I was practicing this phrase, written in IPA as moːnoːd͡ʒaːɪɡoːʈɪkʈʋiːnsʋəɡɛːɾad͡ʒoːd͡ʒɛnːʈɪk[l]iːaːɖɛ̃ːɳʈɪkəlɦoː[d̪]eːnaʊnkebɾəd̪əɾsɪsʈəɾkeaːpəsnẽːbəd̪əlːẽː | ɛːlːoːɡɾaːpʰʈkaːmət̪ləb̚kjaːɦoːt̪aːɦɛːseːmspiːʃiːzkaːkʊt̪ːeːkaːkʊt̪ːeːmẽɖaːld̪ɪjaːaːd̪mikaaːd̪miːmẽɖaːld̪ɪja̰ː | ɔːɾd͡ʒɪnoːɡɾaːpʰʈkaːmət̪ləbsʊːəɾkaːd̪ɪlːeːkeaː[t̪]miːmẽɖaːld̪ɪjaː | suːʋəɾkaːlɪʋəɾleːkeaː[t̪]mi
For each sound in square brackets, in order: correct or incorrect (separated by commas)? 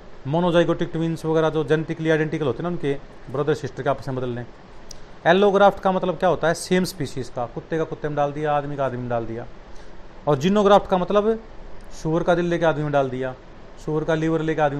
correct, incorrect, incorrect, incorrect